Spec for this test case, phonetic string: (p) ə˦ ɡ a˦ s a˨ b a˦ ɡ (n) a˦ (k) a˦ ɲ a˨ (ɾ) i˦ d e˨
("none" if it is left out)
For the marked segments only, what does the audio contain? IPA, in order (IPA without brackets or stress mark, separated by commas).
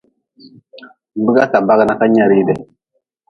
b, n, k, ɾ